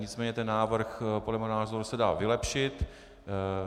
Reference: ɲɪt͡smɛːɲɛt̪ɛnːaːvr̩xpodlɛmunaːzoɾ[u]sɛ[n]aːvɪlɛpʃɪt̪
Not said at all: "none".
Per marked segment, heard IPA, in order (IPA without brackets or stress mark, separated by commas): u, d